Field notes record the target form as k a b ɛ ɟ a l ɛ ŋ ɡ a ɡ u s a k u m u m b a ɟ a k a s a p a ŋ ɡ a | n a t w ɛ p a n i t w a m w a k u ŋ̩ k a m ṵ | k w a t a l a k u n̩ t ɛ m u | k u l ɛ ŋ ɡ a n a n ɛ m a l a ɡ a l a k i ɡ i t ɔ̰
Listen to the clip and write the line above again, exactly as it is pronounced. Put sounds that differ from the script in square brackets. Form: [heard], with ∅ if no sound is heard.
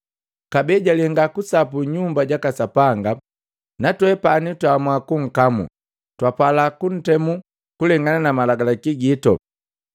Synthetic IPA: k a b ɛ ɟ a l ɛ ŋ ɡ a [k] u s a [p] u [ɲ] u m b a ɟ a k a s a p a ŋ ɡ a | n a t w ɛ p a n i t w a m w a k u ŋ̩ k a m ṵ | [t] w a [p] a l a k u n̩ t ɛ m u | k u l ɛ ŋ ɡ a n a n [a] m a l a ɡ a l a k i ɡ i t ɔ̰